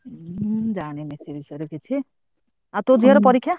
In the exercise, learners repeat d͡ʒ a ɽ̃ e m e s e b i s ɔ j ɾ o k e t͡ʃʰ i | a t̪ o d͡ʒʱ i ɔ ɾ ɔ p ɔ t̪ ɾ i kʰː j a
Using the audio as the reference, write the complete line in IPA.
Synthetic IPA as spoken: d͡ʒ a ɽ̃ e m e s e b i s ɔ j ɾ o k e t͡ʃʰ i | a t̪ o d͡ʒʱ i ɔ ɾ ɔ p ɔ ɾ i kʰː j a